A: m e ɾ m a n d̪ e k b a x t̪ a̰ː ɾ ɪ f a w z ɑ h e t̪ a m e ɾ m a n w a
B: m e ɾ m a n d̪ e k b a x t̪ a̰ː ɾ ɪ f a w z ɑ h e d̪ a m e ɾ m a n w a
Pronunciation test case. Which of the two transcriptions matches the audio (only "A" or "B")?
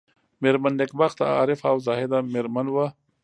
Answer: B